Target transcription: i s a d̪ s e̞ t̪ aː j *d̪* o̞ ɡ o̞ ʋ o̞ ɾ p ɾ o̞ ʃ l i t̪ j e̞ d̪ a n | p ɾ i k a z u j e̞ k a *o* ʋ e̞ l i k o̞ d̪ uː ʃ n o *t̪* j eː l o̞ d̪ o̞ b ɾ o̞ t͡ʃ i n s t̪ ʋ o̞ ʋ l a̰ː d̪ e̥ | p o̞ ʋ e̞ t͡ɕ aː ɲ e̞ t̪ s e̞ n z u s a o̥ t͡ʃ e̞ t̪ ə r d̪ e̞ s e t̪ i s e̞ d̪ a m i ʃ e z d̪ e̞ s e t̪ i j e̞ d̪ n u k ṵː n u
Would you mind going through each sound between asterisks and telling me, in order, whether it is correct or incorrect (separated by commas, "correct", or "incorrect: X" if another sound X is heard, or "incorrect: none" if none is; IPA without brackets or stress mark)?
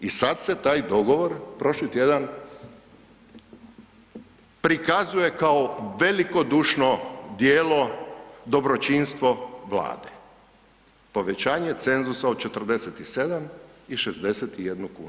correct, correct, incorrect: d̪